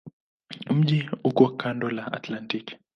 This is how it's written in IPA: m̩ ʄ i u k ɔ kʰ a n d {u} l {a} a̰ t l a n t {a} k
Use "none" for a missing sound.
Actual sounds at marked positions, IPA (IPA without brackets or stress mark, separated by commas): ɔ, a, i